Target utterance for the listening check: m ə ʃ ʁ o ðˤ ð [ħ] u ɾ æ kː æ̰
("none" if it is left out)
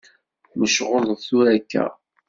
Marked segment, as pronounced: θ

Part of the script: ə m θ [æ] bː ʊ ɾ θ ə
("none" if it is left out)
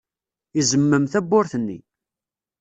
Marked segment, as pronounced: æ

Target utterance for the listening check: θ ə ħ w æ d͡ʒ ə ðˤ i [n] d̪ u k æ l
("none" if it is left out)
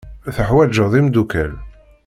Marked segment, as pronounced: m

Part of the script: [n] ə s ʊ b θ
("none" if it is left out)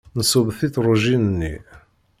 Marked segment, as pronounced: n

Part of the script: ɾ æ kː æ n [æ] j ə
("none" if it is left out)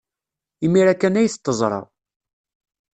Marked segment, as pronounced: æ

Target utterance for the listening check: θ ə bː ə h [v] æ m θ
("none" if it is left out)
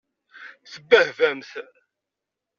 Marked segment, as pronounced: v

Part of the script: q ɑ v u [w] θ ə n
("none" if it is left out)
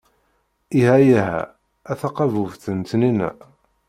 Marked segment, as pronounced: v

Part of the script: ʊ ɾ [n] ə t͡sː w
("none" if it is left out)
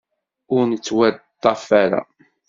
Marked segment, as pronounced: n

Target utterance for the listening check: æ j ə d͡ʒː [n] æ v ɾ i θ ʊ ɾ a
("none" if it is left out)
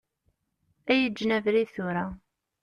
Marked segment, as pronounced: n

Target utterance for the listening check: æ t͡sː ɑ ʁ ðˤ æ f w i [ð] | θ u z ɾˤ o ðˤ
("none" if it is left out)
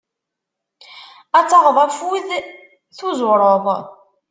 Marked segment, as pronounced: ð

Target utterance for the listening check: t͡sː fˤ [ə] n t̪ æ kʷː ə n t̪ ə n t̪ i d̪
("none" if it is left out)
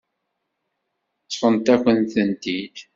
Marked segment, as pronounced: ə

